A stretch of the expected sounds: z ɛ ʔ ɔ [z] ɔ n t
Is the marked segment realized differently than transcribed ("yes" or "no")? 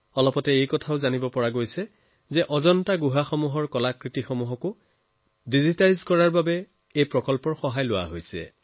no